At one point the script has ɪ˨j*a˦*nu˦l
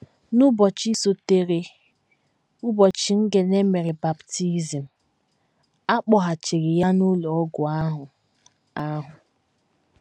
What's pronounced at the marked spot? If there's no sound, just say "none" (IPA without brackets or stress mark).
a˦